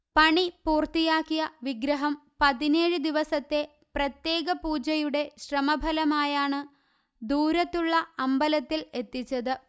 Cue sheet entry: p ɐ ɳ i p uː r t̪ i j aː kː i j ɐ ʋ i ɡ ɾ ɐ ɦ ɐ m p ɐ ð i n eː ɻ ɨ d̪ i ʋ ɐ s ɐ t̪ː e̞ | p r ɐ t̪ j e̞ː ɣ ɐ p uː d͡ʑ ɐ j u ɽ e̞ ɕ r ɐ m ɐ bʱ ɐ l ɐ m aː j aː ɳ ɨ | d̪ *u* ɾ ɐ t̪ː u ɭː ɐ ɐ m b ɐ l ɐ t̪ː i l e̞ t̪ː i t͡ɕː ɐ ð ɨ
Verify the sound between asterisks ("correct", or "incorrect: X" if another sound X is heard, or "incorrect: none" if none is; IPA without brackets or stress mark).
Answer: incorrect: uː